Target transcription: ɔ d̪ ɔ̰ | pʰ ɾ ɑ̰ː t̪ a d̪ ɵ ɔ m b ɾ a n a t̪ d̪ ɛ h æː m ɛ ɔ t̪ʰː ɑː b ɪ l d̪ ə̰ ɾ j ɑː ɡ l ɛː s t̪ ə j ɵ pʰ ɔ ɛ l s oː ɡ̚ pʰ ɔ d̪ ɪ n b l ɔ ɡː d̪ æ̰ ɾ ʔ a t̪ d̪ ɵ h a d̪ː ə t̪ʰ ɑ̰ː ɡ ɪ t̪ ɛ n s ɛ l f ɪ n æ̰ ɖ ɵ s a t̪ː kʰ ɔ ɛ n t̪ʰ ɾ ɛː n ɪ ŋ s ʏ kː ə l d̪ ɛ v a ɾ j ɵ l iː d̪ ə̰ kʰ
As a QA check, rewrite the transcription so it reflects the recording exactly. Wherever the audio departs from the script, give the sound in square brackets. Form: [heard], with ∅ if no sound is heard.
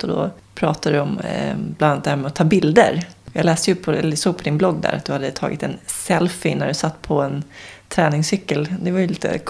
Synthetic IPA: ɔ d̪ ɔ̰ | pʰ ɾ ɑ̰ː t̪ a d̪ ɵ ɔ m b [l] a n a t̪ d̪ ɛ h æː m ɛ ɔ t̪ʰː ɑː b ɪ l d̪ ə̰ ɾ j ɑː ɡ l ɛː s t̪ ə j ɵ pʰ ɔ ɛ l s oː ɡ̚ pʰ ɔ d̪ ɪ n b l ɔ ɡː d̪ æ̰ ɾ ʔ a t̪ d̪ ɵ h a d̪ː ə t̪ʰ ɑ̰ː ɡ ɪ t̪ ɛ n s ɛ l f ɪ n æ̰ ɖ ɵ s a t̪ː [pʰ] ɔ ɛ n t̪ʰ ɾ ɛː n ɪ ŋ s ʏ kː ə l d̪ ɛ v a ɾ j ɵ l iː [t̪] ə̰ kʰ